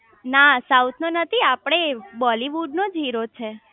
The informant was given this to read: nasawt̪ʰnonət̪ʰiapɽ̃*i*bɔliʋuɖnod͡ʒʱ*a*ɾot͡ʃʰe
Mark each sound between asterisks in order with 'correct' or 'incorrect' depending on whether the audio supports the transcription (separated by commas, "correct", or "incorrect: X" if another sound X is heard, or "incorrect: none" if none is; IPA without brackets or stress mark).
incorrect: e, incorrect: i